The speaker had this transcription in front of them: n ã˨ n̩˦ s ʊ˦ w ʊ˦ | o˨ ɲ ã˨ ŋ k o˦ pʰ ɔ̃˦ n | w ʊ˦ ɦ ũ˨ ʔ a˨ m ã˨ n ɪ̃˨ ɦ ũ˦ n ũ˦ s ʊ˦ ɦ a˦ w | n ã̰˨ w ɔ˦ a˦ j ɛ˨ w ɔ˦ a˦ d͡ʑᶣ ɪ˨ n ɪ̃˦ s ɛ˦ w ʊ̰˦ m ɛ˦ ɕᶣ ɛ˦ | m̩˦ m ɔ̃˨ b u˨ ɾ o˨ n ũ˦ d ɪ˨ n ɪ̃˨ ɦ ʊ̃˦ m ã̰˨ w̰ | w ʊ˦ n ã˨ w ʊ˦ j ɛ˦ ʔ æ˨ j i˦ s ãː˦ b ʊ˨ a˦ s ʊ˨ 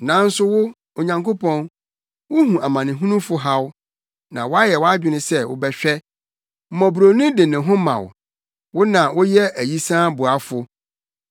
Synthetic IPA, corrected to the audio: n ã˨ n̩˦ s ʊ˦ w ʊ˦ | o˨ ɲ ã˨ ŋ k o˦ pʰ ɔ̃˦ n | w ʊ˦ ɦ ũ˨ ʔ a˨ m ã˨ n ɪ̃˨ ɦ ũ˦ n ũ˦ f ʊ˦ ɦ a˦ w | n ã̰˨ w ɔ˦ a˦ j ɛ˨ w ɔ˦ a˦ d͡ʑᶣ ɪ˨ n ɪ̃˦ s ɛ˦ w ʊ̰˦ b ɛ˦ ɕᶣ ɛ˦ | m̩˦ m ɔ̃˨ b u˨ ɾ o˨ n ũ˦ d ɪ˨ n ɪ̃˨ ɦ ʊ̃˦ m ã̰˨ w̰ | w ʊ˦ n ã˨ w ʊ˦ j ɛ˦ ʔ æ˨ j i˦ s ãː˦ b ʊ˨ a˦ f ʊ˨